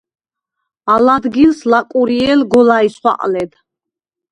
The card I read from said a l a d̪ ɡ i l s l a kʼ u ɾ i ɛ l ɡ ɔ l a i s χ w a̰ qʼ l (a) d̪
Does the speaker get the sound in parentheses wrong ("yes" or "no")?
yes